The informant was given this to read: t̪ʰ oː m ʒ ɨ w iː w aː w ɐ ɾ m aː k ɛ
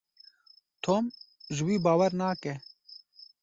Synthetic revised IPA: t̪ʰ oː m ʒ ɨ w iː b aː w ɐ ɾ n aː k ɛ